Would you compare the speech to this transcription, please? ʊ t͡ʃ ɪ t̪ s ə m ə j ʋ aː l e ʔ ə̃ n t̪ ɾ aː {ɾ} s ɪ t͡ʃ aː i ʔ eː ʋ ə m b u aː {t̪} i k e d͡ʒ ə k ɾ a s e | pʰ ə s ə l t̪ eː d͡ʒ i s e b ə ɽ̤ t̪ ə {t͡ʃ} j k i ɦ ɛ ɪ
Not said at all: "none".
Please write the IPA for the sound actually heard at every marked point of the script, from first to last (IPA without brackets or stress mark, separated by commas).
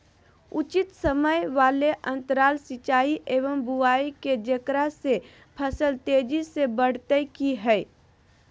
l, none, none